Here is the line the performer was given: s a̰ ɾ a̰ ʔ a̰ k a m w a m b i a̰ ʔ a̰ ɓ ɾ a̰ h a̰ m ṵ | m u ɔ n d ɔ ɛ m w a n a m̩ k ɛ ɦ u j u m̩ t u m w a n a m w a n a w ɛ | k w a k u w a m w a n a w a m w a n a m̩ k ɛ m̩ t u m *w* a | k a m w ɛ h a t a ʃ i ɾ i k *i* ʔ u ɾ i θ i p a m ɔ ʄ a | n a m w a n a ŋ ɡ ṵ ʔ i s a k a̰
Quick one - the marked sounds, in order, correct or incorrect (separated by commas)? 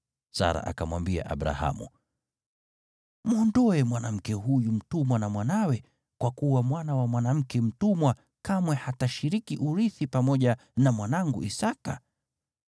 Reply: correct, correct